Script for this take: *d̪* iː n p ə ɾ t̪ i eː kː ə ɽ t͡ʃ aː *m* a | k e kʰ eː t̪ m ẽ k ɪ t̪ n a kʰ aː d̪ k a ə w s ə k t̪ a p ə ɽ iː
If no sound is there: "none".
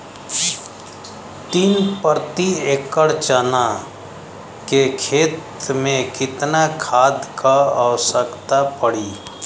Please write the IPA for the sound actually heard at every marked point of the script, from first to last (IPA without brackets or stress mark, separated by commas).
t̪, n